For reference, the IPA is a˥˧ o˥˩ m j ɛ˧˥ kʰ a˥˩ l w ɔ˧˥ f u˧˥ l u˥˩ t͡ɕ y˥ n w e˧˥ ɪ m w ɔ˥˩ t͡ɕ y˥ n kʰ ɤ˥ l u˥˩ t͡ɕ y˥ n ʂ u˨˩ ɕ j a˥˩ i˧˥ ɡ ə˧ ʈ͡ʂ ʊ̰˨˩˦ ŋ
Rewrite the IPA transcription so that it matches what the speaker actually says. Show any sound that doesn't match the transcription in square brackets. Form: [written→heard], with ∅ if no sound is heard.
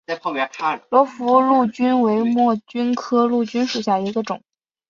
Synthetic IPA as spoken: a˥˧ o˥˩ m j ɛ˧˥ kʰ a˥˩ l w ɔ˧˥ f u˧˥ l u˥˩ t͡ɕ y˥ n w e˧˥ ɪ m w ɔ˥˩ t͡ɕ y˥ n kʰ ɤ˥ l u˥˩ t͡ɕ y˥ n ʂ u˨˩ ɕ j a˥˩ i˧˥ ɡ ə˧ ʈ͡ʂ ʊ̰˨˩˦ ŋ